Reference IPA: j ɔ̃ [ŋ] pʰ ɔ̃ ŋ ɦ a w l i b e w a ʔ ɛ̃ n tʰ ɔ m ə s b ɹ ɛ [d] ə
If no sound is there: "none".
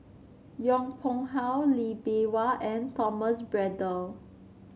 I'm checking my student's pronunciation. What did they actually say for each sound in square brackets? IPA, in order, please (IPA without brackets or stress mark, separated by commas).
ŋ, d